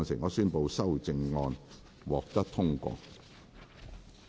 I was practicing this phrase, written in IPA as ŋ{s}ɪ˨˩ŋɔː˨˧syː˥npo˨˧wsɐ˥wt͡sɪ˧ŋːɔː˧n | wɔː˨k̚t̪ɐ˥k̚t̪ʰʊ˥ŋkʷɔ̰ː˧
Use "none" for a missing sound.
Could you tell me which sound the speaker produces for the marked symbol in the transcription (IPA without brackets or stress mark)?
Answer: s